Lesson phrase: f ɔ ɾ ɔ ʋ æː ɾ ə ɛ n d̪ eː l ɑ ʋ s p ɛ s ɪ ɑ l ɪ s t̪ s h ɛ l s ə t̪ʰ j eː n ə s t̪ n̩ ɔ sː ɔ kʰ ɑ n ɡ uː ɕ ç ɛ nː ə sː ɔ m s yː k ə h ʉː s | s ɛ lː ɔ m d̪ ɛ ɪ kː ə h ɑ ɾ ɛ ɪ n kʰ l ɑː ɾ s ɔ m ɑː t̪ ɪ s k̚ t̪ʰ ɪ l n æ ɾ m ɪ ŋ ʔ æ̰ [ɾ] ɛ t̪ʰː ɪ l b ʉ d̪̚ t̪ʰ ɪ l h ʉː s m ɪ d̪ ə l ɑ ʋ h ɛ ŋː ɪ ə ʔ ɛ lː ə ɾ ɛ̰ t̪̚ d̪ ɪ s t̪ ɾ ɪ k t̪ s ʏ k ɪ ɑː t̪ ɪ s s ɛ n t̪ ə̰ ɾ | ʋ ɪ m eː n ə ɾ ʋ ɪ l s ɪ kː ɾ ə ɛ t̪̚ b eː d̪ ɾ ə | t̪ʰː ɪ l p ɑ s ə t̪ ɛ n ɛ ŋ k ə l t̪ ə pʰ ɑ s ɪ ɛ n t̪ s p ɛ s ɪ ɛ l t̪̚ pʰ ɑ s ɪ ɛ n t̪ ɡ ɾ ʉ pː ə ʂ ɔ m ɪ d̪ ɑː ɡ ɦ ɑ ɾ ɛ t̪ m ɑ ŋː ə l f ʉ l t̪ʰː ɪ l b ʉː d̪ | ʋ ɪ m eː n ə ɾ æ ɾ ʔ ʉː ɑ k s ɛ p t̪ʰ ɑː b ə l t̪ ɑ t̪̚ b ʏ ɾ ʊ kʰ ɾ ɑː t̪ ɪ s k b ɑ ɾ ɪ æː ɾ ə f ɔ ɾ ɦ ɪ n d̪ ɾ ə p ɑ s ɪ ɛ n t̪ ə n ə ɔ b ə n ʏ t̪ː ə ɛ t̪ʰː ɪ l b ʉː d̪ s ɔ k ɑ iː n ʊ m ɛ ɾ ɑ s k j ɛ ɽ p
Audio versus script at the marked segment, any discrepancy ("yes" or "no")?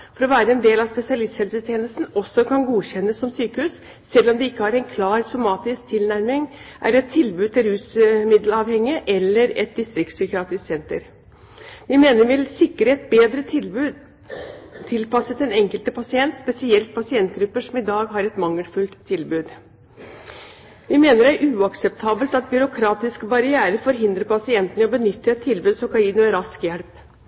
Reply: no